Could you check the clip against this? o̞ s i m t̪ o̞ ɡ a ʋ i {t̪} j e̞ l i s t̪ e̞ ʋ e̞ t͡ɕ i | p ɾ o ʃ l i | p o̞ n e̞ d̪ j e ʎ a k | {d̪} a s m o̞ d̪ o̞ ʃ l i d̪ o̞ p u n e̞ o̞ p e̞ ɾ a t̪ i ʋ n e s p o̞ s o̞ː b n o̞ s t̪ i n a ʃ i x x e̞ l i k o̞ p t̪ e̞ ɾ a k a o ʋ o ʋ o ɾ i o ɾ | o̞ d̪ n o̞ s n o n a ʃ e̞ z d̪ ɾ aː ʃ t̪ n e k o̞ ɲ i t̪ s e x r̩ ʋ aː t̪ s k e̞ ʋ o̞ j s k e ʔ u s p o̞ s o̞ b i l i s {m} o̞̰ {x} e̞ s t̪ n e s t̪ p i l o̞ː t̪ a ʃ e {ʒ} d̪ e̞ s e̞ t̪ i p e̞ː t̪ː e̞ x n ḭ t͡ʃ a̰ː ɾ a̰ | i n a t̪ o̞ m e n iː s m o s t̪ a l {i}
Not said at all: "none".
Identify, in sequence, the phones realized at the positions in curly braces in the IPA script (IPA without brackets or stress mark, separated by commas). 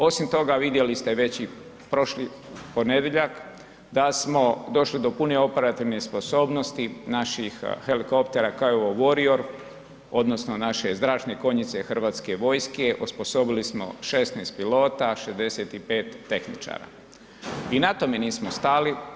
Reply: d̪, d̪, m, ʃ, z, i